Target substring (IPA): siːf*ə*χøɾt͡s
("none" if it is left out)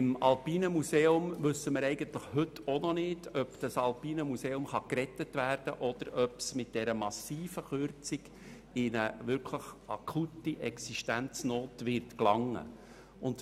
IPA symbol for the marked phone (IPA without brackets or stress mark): ə